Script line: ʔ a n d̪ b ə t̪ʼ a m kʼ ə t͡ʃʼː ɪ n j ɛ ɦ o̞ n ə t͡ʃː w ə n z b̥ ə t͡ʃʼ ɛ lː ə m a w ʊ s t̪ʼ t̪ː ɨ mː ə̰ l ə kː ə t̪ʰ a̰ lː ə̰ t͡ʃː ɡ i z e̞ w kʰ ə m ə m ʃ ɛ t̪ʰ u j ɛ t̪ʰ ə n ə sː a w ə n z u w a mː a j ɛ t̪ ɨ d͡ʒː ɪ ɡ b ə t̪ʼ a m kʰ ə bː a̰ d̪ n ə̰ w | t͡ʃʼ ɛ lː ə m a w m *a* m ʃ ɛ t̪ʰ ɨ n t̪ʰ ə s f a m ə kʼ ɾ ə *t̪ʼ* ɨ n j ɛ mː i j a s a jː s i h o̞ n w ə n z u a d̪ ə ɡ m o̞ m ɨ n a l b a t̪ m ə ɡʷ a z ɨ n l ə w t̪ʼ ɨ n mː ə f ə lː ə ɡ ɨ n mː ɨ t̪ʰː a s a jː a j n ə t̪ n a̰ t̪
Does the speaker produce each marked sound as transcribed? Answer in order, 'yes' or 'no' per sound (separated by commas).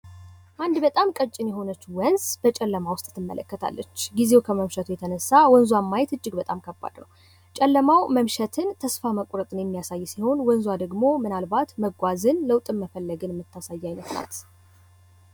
no, yes